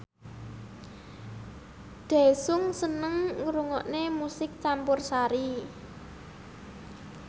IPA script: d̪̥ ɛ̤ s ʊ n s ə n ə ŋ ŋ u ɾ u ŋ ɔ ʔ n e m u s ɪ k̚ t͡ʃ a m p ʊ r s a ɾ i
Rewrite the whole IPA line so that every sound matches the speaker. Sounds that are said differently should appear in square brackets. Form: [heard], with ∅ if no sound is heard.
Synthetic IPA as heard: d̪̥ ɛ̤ s ʊ [ŋ] s ə n ə ŋ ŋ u ɾ u ŋ ɔ ʔ n e m u s ɪ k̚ t͡ʃ a m p ʊ r s a ɾ i